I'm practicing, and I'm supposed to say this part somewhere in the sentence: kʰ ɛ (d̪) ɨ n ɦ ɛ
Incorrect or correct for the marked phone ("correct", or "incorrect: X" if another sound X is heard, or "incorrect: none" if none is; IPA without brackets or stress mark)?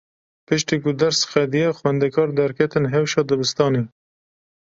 incorrect: t̪